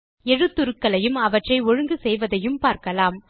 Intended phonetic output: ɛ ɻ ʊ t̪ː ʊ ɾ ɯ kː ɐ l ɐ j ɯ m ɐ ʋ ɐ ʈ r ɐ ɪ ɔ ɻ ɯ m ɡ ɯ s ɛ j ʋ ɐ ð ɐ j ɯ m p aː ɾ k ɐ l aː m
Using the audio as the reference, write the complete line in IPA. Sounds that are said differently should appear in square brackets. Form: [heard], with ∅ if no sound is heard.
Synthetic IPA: ɛ ɻ [ɯ] t̪ː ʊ ɾ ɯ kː ɐ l ɐ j ɯ m ɐ ʋ ɐ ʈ r ɐ ɪ ɔ ɻ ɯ [ŋ] ɡ ɯ s ɛ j ʋ ɐ ð ɐ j ɯ m p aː ɾ k ɐ l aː m